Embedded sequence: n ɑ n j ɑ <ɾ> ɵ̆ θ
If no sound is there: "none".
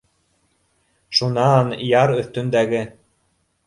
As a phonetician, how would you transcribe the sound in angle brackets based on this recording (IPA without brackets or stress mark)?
ɾ